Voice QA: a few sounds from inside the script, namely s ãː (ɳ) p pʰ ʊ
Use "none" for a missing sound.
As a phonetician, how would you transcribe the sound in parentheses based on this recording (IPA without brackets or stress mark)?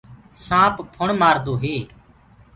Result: none